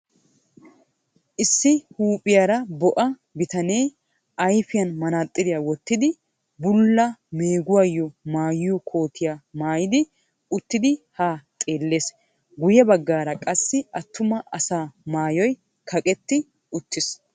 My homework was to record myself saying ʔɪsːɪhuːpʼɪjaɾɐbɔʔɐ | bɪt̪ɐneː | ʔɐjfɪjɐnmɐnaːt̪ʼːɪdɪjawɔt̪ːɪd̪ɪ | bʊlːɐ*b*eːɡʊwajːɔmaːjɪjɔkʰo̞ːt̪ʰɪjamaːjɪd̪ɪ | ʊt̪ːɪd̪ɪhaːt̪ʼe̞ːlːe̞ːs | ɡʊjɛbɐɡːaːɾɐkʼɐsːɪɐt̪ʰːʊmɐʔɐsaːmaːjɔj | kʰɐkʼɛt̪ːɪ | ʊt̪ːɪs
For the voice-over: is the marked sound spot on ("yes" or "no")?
no